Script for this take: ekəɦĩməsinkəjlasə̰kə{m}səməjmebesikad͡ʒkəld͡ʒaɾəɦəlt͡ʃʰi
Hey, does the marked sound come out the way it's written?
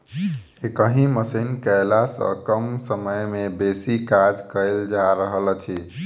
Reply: yes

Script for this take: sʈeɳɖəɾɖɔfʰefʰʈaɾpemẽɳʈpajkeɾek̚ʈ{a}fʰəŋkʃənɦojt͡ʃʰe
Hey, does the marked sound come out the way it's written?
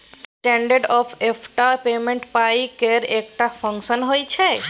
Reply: yes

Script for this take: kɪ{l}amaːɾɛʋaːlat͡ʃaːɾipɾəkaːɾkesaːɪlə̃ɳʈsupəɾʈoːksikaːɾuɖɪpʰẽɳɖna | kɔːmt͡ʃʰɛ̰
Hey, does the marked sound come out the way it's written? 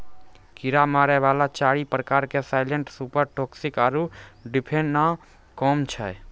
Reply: no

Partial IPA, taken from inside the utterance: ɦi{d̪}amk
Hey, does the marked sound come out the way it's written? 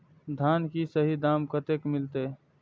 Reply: yes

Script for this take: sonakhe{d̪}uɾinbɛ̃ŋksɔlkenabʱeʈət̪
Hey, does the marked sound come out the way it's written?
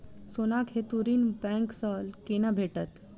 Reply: no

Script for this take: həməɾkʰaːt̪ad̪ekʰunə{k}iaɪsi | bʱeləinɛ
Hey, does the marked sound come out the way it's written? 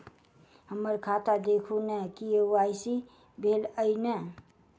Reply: yes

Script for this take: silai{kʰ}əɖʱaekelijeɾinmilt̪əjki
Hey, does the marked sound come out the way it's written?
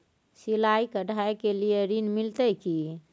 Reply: no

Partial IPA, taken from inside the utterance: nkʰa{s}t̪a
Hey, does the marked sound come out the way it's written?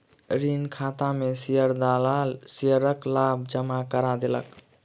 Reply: no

